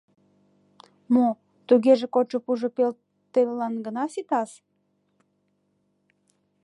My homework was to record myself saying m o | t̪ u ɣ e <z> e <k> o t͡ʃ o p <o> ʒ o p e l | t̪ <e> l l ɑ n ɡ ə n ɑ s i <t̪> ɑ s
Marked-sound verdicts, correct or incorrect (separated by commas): incorrect, correct, incorrect, correct, correct